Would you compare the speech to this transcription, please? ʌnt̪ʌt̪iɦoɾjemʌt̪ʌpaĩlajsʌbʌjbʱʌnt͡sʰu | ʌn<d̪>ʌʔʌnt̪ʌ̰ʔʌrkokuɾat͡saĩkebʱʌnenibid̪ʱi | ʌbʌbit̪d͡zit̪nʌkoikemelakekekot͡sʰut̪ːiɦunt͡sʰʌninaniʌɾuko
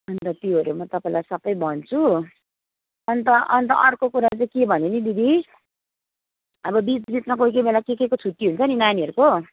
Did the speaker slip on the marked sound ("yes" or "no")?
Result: yes